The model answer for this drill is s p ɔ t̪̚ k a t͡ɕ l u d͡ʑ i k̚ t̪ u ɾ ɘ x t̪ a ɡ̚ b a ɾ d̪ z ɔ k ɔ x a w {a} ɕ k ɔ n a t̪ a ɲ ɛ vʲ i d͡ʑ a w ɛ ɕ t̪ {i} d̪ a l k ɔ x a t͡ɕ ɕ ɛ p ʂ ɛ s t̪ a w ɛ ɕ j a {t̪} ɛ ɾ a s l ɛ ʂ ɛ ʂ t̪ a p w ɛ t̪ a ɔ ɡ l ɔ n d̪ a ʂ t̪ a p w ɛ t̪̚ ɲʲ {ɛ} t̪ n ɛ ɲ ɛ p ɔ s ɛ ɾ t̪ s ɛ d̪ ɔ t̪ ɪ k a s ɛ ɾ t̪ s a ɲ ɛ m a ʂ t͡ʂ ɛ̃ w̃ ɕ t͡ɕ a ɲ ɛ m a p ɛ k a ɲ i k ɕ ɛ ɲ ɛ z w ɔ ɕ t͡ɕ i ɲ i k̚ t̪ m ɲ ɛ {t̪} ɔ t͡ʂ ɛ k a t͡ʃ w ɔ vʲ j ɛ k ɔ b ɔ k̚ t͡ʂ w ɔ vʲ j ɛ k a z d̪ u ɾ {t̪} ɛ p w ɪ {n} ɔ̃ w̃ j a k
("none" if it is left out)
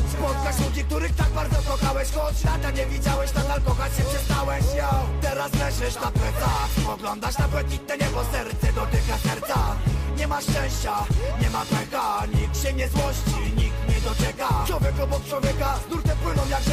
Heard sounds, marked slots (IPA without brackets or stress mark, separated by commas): ɛ, a, t̪, i, d̪, t̪, n